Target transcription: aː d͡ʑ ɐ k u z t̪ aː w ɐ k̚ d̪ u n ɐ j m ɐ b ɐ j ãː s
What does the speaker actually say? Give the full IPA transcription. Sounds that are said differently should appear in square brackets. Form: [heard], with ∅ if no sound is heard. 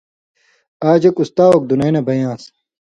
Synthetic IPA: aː d͡ʑ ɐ k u [s] t̪ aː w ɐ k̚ d̪ u n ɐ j [n] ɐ b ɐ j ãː s